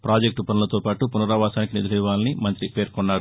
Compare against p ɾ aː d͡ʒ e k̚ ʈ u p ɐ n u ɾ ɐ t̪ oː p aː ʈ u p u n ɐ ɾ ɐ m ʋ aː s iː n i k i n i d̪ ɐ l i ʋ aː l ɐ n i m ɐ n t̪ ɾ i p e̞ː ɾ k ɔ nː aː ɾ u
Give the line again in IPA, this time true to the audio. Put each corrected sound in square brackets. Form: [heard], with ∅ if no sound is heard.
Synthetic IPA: p ɾ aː d͡ʒ e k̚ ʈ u p ɐ n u [l] ɐ t̪ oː p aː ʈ u p u n ɐ ɾ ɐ [∅] ʋ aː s [aː] n i k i n i d̪ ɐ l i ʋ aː l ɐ n i m ɐ n t̪ ɾ i p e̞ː ɾ k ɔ nː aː ɾ u